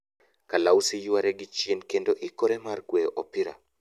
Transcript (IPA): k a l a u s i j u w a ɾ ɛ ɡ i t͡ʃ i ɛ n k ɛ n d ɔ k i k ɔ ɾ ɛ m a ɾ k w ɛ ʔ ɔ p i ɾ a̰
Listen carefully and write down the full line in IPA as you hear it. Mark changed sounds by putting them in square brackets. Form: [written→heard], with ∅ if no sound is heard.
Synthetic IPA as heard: k a l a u s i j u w a ɾ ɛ ɡ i t͡ʃ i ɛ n k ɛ n d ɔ [k→ʔ] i k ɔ ɾ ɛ m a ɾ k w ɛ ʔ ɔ p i ɾ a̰